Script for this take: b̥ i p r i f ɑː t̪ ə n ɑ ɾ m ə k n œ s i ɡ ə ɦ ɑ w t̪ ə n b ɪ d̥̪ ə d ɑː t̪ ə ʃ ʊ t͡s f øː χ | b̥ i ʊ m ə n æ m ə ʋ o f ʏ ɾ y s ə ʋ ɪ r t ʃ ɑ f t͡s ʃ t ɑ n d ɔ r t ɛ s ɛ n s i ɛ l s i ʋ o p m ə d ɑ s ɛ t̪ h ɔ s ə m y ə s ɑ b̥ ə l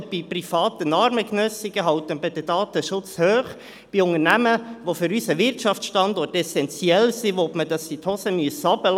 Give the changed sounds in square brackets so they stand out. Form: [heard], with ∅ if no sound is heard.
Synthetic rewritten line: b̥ i p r i f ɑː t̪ ə n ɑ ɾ m ə k n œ s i ɡ ə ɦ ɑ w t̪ ə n b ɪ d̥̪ ə d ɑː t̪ ə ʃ ʊ t͡s [h] øː χ | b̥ i ʊ [ŋ] ə n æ m ə ʋ o f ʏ ɾ y s ə ʋ ɪ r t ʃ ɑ f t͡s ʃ t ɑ n d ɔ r t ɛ s ɛ n [t͡s] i ɛ l s i ʋ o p m ə d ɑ s [i] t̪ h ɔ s ə m y ə s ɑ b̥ ə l